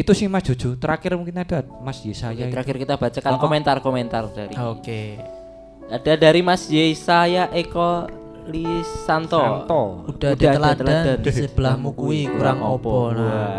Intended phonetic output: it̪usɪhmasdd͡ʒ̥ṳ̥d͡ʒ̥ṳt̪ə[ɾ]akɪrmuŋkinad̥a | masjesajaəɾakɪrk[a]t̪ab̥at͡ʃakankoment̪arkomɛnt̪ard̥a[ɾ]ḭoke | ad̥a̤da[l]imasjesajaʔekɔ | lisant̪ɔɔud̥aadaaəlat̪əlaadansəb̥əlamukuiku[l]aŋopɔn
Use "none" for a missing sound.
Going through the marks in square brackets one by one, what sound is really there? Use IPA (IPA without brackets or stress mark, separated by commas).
ɾ, i, ɾ, ɾ, ɾ